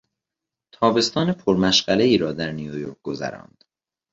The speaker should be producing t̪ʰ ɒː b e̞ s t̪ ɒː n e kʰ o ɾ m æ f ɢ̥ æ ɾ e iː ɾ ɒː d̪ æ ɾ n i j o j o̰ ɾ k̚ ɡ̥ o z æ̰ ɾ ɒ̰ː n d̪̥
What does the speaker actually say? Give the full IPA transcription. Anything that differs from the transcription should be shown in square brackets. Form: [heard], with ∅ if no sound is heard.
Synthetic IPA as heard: t̪ʰ ɒː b e̞ s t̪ ɒː n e [pʰ] o ɾ m æ [ʃ] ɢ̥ æ [l] e iː ɾ ɒː d̪ æ ɾ n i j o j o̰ ɾ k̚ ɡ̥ o z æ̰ ɾ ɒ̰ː n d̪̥